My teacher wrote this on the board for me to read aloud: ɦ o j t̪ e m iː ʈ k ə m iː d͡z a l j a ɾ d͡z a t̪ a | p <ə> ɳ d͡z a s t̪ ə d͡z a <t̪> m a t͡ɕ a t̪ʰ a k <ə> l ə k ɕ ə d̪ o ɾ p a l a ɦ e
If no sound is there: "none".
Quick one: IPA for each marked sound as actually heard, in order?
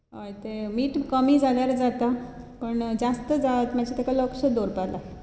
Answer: ə, t̪, a

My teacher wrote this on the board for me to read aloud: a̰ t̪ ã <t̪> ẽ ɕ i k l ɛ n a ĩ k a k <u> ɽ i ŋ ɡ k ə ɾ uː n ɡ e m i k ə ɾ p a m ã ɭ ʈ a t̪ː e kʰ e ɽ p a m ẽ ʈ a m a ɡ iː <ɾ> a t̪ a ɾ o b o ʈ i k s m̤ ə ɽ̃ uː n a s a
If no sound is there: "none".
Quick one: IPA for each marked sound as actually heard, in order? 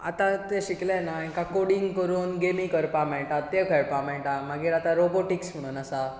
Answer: t̪, o, ɾ

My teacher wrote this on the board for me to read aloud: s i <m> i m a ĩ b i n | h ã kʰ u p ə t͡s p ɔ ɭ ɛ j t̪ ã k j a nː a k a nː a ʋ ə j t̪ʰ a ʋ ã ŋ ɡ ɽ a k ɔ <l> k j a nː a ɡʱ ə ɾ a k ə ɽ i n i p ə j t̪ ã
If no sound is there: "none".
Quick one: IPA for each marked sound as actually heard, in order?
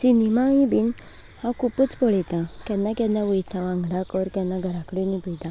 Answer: n, ɾ

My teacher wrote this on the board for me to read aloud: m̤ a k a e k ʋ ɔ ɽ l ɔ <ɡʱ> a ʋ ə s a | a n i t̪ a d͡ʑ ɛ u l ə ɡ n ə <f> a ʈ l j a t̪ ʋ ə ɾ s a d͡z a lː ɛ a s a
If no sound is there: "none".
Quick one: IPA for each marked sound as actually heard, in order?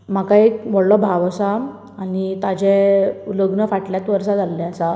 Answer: bʱ, f

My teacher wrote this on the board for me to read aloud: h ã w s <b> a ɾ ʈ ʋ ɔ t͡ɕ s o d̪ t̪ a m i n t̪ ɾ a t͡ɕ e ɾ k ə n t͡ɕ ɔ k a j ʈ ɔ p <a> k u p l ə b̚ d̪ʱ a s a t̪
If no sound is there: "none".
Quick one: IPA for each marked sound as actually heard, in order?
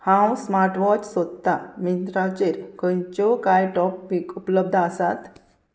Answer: m, i

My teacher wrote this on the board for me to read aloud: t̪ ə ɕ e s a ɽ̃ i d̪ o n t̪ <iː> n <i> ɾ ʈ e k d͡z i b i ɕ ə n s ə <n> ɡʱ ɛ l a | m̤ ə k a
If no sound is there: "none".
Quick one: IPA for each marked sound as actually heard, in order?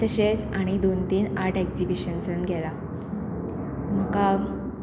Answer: iː, a, n

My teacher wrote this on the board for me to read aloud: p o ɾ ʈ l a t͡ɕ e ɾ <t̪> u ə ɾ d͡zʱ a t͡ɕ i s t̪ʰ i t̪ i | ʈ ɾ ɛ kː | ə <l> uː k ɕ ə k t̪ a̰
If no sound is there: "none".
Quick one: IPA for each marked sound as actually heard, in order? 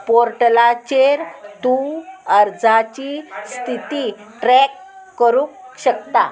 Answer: t̪, ɾ

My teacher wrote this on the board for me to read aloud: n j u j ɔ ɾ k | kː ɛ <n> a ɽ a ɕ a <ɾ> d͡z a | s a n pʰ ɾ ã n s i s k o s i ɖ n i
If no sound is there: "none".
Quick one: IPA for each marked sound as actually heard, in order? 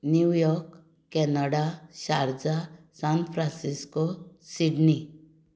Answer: n, ɾ

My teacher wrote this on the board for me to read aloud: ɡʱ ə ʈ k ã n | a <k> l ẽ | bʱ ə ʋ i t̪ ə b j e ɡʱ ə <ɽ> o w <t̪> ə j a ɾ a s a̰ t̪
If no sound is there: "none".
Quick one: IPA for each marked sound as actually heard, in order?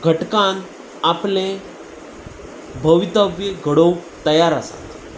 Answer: p, ɽ, t̪

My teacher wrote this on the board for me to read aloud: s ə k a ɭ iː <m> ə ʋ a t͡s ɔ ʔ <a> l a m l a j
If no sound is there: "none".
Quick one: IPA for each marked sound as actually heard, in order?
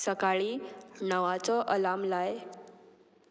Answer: n, ə

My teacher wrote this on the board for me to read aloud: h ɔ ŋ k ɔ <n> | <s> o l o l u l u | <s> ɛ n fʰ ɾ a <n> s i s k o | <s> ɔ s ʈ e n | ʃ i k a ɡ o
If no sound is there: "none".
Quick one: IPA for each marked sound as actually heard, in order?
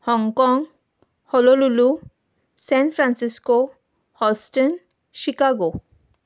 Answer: ŋ, h, s, n, h

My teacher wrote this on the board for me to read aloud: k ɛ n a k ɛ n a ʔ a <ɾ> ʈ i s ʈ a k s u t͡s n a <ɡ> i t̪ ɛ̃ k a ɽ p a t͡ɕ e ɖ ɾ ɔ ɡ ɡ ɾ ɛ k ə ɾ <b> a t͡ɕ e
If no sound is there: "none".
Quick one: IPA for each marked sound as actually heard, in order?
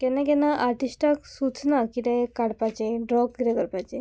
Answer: ɾ, k, p

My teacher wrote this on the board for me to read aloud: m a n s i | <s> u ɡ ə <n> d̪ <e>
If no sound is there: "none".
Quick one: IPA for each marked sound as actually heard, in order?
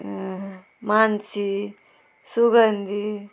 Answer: s, n, i

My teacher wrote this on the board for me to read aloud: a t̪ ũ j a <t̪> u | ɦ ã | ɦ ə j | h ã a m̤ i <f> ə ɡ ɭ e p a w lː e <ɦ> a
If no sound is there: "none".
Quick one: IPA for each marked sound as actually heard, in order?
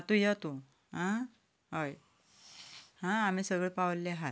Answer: t̪, s, ɦ

